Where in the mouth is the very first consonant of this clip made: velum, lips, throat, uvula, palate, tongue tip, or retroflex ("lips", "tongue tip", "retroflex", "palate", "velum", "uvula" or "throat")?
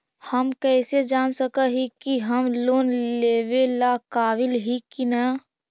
throat